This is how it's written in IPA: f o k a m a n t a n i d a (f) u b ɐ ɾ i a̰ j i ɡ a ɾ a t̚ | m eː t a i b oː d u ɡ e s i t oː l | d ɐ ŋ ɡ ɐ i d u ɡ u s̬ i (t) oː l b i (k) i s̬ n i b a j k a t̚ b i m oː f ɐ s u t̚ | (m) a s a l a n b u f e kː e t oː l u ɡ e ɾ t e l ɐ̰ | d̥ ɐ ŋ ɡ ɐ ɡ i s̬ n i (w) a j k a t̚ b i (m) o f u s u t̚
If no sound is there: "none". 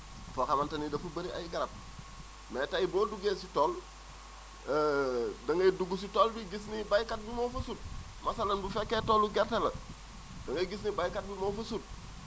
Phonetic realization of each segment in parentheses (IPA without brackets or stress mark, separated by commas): f, t, ɡ, m, b, m